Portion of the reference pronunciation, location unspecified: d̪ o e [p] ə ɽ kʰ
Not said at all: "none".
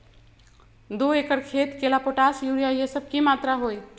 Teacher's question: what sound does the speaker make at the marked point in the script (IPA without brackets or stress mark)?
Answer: k